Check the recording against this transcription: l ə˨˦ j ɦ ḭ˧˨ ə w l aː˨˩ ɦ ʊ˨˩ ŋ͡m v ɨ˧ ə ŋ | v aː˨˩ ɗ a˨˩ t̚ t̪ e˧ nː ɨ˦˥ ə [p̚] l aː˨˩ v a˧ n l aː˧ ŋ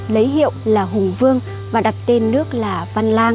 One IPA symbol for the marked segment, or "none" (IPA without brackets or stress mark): k̚